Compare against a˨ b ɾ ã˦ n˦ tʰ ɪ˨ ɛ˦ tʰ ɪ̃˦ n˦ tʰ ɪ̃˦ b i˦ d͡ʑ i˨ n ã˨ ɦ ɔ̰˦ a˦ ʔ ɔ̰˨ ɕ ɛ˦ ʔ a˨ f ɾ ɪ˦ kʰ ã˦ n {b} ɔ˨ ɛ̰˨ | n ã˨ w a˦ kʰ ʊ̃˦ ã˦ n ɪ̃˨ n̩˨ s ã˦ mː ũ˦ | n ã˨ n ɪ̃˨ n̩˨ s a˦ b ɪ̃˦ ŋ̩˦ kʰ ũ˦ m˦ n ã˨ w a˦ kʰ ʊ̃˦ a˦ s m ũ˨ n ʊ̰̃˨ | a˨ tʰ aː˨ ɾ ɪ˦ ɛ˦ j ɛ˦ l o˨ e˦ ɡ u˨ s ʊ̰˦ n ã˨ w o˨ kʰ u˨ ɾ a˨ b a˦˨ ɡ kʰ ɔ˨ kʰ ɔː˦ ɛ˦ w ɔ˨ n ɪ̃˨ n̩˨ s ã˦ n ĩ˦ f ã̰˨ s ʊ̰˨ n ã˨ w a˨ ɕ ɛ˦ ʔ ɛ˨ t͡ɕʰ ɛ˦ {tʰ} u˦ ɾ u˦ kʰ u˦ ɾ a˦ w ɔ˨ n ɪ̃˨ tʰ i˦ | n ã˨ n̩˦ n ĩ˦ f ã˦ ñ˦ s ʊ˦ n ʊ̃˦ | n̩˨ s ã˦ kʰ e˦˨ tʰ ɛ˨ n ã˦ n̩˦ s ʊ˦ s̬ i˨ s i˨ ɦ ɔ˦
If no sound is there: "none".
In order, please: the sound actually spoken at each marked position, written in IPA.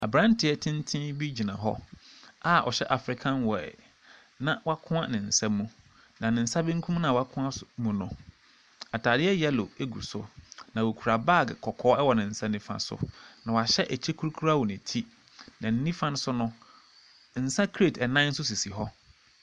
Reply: w, kʰ

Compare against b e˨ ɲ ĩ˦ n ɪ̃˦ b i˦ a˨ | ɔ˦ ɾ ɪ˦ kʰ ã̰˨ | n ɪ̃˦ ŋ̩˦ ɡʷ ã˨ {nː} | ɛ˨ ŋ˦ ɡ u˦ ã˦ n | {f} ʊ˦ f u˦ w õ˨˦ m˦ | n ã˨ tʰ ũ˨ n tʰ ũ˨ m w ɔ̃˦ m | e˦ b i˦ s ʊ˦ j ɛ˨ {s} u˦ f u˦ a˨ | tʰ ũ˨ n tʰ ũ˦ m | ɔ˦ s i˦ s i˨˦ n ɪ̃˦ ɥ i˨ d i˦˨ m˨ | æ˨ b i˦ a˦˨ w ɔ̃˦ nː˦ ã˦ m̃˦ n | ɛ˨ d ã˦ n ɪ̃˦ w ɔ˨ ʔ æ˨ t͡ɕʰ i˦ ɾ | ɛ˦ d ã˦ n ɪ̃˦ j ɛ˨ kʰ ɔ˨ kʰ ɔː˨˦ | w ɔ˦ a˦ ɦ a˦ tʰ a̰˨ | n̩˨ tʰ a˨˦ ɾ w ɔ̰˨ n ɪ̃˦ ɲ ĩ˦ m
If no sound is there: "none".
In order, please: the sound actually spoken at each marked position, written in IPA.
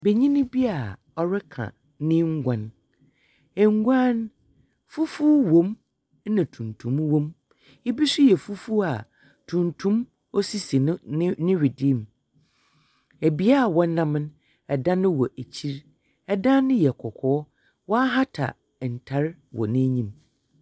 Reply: n, f, f

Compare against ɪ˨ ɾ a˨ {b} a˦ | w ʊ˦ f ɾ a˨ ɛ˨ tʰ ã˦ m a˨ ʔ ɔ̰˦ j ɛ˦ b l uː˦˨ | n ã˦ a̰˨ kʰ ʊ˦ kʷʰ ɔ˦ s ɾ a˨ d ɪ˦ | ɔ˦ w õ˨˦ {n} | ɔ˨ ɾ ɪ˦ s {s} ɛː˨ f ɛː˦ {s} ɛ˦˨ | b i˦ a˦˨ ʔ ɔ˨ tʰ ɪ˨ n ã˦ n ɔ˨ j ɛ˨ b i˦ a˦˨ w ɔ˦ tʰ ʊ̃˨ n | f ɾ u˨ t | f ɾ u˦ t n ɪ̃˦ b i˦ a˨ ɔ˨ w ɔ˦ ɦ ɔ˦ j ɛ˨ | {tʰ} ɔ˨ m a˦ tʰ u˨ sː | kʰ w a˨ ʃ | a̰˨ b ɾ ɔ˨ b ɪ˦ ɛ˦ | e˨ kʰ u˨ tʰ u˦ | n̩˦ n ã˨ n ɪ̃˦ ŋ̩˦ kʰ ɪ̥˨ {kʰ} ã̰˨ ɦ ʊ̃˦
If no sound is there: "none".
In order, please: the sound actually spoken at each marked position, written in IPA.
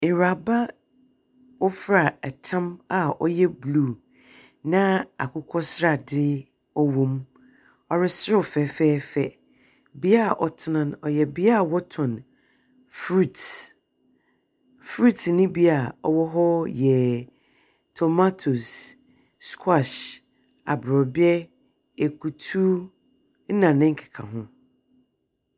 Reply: b, m, f, f, tʰ, kʰ

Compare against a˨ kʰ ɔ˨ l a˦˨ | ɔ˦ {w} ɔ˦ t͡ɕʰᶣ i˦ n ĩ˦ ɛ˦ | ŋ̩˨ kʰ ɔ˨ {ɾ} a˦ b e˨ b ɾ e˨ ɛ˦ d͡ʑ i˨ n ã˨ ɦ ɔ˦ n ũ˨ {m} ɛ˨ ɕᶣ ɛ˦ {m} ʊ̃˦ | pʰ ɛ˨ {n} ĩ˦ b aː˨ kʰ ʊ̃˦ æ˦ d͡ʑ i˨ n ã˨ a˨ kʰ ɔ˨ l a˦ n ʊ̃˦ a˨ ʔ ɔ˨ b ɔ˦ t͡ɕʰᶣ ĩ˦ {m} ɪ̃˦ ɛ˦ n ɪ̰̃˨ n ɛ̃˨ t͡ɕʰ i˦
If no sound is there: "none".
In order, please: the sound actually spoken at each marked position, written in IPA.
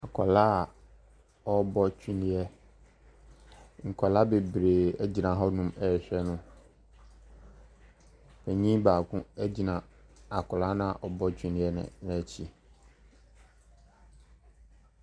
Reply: b, l, m, n, ɲ, n

